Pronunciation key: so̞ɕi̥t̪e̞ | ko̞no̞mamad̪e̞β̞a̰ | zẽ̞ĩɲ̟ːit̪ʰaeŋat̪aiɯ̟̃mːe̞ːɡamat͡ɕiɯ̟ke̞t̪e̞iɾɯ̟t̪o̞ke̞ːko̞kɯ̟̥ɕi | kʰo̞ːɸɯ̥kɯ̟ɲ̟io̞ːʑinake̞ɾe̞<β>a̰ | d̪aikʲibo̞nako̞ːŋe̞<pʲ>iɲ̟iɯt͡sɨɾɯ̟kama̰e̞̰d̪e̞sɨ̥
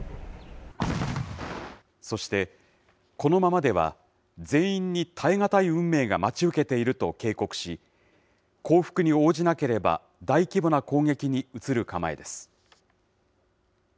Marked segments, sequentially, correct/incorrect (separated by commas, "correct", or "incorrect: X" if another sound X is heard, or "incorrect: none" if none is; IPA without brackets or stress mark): incorrect: b, incorrect: kʲ